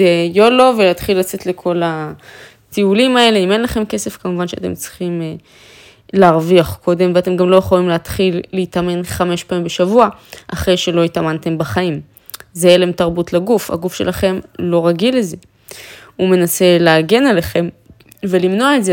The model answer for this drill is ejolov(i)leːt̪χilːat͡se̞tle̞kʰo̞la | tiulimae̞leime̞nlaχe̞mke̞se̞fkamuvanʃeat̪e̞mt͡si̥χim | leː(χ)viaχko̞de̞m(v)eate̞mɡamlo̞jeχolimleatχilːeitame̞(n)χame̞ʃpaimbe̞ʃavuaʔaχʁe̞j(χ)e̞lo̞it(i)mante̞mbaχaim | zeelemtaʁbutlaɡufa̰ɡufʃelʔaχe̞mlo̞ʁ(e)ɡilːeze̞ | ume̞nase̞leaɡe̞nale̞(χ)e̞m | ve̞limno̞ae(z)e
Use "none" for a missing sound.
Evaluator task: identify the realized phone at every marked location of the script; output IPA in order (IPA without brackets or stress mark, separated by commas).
e, ʁ, v, n, ʃ, a, a, χ, z